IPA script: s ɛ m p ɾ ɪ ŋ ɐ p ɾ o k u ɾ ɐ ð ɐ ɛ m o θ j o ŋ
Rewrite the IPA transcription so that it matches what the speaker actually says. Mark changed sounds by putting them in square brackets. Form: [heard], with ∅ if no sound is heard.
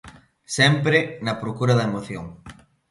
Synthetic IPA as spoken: s ɛ m p ɾ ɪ [n] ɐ p ɾ o k u ɾ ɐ ð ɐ [e] m o θ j o ŋ